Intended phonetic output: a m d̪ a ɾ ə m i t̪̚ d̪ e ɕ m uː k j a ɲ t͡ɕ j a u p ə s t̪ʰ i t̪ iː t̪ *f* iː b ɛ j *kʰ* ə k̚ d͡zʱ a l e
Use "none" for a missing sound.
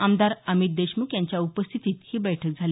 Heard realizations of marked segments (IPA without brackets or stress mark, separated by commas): h, ʈʰ